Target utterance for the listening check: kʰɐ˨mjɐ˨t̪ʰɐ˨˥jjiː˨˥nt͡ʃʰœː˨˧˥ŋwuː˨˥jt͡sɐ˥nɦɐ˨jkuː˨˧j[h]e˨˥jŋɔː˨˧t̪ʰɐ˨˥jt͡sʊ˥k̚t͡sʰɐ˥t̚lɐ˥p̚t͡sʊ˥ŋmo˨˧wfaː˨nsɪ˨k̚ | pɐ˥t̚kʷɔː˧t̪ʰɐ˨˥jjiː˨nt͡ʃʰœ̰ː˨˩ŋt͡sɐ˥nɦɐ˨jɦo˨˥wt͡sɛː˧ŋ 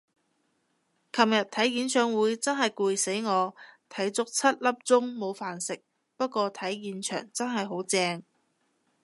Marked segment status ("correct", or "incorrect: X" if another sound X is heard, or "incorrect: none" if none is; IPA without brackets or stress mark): incorrect: s